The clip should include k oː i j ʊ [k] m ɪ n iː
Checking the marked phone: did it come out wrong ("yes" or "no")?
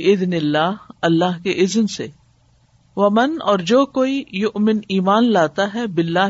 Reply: yes